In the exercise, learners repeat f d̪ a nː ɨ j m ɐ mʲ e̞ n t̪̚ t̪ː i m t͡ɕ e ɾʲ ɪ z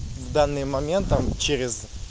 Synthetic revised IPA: v d̪ a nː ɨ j m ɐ mʲ e̞ n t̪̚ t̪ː a m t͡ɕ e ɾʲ ɪ z